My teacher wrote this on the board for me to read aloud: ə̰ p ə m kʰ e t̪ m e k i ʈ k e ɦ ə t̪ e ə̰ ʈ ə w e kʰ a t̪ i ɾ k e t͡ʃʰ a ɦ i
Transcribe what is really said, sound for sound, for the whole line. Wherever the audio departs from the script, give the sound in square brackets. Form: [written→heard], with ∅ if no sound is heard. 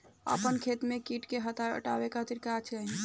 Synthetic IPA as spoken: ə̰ p ə [m→n] kʰ e t̪ m e k i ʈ k e ɦ ə t̪ [e→a] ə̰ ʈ [ə→a] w e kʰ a t̪ i ɾ k [e→a] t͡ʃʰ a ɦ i